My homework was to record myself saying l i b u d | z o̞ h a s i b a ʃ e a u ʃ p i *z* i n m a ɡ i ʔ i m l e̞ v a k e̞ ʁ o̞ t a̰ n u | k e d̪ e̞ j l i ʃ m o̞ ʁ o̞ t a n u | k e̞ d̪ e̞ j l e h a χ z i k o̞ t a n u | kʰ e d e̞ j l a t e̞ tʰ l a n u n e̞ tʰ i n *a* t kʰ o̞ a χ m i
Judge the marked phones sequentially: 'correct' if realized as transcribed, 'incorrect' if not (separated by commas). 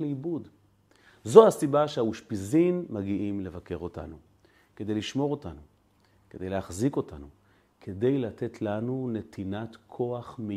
correct, correct